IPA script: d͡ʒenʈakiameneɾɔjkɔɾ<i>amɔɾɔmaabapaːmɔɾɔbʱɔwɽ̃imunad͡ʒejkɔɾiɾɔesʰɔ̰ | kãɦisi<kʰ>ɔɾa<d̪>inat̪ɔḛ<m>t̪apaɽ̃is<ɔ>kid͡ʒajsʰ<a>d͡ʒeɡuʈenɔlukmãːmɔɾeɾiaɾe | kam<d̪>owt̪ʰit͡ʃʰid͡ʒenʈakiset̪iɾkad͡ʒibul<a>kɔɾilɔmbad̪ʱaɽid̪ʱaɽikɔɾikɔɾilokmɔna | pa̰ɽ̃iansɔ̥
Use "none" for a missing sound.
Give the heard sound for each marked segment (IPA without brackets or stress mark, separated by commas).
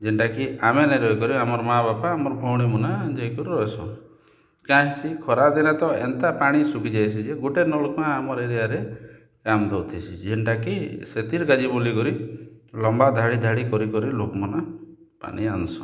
i, kʰ, d̪, n, u, i, d̪, i